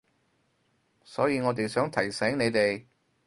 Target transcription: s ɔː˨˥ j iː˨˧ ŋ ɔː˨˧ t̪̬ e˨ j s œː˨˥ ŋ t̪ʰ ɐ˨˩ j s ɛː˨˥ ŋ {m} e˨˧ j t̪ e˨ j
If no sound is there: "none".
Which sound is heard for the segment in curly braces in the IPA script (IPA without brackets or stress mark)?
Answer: n